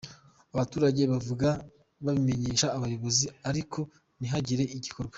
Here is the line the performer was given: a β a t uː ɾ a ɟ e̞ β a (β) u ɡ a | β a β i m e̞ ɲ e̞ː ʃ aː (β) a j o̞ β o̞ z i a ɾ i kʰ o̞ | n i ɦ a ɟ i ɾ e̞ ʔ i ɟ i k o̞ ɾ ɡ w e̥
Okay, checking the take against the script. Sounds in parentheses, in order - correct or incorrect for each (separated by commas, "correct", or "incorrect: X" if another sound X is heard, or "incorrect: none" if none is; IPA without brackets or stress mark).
incorrect: v, correct